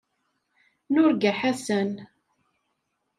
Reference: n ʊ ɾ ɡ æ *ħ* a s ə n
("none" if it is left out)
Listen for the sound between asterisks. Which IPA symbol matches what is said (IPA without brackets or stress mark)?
ħ